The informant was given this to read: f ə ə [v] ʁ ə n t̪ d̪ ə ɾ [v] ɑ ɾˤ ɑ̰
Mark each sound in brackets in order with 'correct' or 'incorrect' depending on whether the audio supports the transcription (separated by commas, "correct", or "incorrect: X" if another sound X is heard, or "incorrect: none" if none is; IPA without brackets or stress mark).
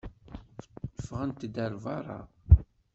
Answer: incorrect: f, correct